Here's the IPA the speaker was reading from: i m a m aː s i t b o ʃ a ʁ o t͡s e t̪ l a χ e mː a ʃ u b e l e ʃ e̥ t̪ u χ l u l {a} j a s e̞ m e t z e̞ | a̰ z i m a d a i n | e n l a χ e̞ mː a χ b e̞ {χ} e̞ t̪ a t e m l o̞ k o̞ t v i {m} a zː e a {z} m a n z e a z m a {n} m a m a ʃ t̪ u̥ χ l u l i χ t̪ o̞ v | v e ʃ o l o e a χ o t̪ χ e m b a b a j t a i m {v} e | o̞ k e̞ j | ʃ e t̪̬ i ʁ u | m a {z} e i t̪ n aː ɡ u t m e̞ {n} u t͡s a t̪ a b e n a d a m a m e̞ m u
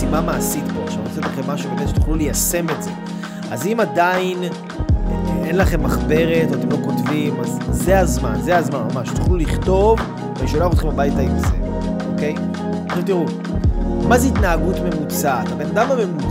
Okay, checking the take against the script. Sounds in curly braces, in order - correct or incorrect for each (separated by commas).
incorrect, incorrect, correct, correct, correct, incorrect, correct, incorrect